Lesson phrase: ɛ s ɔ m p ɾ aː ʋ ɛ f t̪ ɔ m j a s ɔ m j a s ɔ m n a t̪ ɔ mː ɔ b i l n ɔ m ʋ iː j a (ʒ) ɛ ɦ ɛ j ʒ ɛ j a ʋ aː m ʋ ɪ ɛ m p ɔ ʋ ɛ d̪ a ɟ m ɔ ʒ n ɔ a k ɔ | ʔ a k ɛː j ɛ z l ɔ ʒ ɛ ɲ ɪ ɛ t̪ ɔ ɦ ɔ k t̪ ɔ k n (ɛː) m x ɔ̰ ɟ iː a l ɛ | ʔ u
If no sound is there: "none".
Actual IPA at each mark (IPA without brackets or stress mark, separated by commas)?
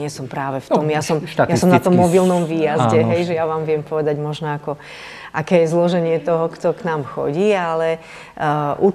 z, aː